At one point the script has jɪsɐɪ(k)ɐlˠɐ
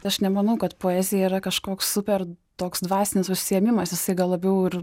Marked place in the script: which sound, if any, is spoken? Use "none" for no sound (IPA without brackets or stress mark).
ɡ